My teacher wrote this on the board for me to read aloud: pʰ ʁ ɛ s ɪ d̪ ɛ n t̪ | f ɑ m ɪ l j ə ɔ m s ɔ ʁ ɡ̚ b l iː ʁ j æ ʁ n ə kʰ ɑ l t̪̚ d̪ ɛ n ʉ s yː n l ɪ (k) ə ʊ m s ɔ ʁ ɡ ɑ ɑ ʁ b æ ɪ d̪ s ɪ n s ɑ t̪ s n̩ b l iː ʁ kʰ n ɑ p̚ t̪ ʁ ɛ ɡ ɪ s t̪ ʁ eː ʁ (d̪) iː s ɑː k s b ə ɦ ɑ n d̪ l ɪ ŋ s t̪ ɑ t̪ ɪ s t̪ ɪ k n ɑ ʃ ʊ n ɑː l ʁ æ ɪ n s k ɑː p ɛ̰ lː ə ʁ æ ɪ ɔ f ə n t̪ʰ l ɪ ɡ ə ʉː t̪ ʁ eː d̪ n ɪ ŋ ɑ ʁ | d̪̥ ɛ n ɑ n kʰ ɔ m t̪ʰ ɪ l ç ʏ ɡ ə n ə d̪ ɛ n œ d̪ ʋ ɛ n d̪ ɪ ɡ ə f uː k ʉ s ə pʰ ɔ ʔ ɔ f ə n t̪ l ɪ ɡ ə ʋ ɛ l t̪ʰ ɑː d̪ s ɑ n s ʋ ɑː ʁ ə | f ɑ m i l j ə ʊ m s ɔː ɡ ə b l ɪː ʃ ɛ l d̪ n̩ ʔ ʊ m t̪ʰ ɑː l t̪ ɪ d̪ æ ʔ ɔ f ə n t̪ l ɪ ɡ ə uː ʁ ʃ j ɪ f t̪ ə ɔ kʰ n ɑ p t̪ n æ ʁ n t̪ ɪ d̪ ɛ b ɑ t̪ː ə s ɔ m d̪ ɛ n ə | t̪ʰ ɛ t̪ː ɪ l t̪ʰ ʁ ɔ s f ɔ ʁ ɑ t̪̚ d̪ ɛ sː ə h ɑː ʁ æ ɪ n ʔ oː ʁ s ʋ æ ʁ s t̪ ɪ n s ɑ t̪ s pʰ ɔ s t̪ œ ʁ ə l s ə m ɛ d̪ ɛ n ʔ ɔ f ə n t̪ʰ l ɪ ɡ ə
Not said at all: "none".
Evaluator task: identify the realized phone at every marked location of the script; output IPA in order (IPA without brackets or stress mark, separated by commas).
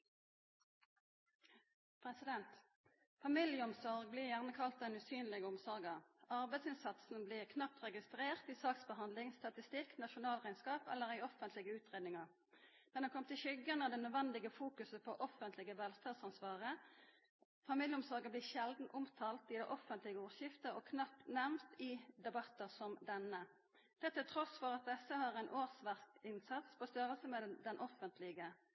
ɡ, t̪